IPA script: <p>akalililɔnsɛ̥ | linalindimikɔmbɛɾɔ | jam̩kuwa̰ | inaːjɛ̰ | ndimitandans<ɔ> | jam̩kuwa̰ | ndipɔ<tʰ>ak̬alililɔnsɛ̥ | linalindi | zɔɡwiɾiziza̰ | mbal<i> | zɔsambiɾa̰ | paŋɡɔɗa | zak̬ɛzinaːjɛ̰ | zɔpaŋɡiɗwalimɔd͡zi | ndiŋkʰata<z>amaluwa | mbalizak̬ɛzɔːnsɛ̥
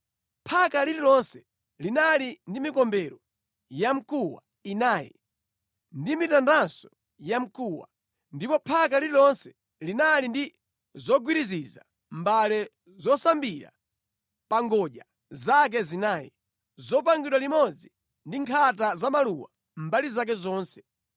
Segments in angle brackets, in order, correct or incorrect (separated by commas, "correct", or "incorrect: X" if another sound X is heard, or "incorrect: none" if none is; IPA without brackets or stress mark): incorrect: pʰ, correct, incorrect: pʰ, incorrect: ɛ, correct